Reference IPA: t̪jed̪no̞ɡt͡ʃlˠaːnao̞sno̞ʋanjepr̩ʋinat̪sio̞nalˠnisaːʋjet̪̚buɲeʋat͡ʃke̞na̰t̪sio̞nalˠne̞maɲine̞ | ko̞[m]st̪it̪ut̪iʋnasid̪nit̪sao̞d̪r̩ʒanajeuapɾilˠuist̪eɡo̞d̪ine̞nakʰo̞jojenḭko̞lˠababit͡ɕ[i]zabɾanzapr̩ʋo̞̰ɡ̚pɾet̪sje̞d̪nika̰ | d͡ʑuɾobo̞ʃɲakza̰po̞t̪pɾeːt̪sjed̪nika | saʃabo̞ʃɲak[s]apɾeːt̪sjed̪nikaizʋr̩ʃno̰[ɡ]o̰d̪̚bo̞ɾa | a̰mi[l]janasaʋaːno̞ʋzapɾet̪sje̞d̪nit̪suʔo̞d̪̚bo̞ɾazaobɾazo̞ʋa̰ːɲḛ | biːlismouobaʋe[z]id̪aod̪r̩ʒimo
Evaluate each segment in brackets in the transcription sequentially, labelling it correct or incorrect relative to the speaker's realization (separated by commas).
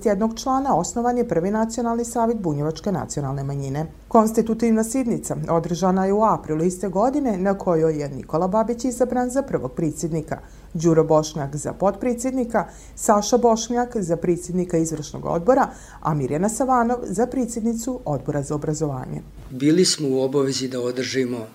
incorrect, correct, incorrect, correct, incorrect, correct